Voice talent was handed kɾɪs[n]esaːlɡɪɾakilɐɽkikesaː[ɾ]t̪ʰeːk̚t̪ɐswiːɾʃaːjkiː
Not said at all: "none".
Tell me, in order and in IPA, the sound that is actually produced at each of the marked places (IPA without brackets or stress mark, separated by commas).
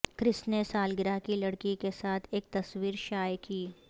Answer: n, none